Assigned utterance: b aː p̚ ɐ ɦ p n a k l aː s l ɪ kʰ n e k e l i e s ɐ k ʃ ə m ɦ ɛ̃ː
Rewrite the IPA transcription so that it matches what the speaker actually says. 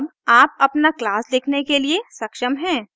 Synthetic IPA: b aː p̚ ɐ p n a k l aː s l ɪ kʰ n e k e l i e s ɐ k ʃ ə m ɦ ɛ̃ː